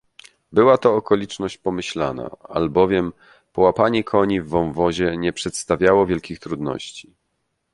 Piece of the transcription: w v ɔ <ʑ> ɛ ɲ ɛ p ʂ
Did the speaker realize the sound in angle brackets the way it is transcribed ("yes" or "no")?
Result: yes